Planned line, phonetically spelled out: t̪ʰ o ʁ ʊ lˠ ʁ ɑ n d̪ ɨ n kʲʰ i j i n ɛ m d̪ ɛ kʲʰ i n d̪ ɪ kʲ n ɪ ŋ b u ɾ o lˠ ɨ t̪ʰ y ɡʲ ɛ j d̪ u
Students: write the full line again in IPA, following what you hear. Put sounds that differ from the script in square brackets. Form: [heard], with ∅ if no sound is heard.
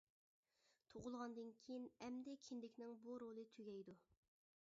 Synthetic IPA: t̪ʰ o ʁ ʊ lˠ ʁ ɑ n d̪ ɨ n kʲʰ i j i n ɛ m d̪ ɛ kʲʰ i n d̪ ɪ kʲ n ɪ ŋ b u ɾ o lˠ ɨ t̪ʰ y ɡʲ ɛ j d̪ u